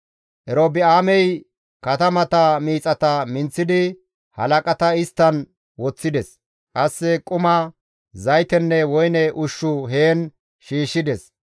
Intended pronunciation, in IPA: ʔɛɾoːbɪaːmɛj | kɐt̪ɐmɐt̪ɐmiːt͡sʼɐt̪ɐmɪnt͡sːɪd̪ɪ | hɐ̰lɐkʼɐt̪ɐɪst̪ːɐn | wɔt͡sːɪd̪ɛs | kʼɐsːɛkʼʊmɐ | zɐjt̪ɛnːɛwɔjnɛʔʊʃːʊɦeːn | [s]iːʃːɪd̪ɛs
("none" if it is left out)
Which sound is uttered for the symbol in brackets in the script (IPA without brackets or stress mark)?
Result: ʃ